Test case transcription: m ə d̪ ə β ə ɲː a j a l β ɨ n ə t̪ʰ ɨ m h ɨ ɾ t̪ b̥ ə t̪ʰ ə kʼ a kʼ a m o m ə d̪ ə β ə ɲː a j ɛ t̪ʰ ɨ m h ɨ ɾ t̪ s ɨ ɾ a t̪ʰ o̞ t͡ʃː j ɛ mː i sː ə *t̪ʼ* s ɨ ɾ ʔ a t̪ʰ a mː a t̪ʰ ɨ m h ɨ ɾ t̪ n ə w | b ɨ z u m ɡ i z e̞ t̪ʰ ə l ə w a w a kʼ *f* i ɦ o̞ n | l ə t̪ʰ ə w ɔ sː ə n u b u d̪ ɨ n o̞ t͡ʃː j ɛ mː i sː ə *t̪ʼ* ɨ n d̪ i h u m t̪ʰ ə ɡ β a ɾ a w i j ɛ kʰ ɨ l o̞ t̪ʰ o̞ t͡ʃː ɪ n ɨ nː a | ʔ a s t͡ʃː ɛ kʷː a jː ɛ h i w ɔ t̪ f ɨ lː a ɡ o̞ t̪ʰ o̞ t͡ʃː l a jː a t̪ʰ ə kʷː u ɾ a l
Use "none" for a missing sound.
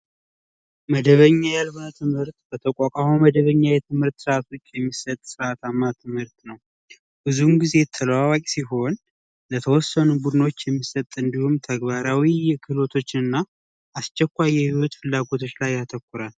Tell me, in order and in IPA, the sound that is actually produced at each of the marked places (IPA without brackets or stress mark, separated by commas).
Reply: t̪ʼ, s, t̪ʼ